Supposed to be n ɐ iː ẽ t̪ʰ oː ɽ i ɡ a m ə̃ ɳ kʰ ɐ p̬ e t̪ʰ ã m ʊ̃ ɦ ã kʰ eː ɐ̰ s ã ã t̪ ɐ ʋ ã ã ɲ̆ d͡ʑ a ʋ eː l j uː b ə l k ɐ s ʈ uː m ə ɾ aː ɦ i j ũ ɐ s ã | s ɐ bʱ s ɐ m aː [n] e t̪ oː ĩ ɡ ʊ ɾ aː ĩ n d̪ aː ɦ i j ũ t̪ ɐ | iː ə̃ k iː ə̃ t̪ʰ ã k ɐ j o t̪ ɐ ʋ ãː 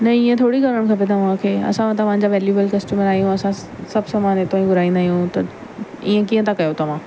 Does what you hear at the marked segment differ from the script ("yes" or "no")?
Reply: no